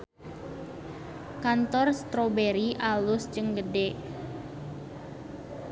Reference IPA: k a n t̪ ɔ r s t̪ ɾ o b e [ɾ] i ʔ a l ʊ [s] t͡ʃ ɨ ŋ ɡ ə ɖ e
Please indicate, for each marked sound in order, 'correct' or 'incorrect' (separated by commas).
correct, correct